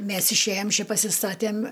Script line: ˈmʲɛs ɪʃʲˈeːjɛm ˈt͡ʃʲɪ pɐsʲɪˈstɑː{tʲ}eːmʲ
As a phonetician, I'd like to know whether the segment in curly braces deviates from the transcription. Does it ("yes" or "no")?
no